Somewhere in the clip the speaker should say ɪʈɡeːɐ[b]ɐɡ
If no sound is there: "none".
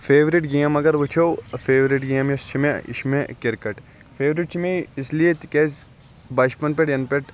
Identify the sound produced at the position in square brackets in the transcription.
m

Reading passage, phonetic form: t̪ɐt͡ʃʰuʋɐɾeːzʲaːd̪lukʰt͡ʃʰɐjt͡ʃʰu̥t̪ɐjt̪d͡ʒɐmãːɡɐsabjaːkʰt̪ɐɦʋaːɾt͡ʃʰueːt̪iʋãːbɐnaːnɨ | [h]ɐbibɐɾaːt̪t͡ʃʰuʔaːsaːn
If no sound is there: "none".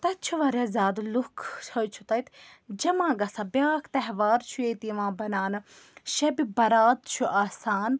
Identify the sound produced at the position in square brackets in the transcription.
ʃ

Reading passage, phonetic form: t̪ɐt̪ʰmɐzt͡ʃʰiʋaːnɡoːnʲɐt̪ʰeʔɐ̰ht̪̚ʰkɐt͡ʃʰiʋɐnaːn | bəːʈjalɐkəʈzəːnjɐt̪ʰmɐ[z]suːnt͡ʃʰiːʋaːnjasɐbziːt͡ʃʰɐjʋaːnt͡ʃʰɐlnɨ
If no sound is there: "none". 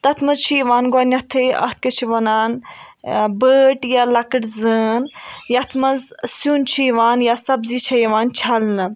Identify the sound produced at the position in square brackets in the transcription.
z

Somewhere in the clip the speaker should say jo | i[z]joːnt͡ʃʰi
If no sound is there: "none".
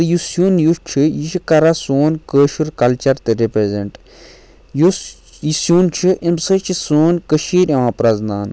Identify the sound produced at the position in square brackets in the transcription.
s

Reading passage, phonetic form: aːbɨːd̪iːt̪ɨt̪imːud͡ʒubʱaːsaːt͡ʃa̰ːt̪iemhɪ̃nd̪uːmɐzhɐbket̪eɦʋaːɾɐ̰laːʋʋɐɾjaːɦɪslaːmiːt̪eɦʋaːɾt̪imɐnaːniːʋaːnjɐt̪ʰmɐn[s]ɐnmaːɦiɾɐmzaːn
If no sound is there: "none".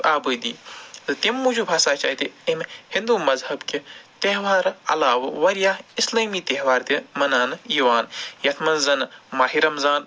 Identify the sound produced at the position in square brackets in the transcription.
z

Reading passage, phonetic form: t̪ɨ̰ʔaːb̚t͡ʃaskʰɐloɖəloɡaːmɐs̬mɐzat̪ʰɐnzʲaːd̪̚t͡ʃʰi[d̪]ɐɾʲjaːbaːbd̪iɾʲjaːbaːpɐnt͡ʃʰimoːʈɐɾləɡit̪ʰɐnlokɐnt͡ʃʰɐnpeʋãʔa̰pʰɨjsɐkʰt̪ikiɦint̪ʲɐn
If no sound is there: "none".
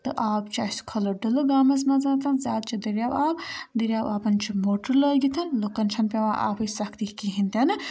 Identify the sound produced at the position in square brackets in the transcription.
d̪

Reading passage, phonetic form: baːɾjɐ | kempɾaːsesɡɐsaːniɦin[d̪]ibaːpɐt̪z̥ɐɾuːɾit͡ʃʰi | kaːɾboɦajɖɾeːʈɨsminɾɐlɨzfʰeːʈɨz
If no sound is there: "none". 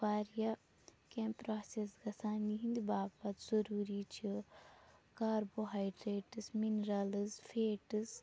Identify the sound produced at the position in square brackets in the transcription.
d̪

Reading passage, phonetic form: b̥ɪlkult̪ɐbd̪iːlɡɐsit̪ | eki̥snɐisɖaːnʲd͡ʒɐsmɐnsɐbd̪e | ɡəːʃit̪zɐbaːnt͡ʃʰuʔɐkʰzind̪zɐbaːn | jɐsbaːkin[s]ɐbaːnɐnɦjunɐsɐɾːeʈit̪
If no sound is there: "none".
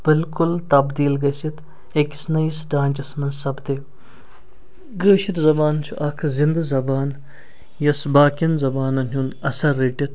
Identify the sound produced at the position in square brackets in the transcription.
z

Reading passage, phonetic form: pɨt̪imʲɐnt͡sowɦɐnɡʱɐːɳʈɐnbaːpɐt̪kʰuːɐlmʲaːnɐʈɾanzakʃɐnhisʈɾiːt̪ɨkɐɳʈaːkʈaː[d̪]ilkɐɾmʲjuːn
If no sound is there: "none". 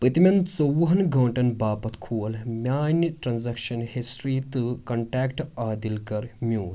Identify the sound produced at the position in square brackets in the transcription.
d̪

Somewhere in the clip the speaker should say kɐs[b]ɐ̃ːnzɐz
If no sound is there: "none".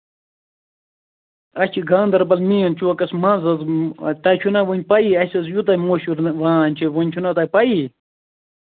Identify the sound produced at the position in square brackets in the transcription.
m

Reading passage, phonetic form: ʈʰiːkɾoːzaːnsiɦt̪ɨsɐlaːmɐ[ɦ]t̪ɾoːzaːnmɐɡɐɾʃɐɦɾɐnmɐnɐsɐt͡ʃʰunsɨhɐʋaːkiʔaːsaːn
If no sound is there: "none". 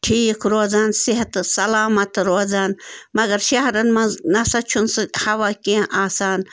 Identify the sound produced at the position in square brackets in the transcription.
none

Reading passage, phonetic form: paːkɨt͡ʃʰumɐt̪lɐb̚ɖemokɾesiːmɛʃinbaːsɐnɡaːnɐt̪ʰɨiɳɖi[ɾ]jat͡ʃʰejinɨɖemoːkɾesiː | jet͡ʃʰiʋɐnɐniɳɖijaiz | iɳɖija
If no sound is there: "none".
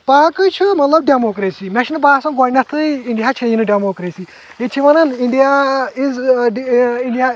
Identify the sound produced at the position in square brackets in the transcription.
none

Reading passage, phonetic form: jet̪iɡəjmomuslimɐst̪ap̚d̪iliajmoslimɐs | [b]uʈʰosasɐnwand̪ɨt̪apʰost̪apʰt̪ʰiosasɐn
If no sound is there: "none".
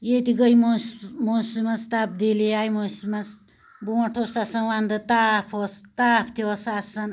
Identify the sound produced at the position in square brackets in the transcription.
b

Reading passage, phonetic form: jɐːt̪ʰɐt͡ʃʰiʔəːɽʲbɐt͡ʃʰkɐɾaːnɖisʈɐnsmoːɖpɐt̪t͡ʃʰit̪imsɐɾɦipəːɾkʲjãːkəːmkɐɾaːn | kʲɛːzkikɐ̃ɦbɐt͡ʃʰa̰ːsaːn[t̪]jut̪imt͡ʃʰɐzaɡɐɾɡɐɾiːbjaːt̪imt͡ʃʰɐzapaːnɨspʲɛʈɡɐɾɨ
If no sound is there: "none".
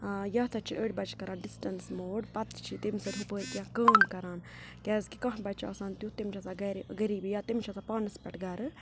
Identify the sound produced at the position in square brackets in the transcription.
t̪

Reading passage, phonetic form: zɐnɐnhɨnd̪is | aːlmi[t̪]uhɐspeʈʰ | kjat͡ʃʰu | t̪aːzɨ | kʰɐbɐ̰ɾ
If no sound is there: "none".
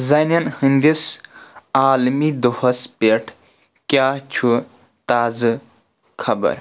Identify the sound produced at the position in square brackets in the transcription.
d̪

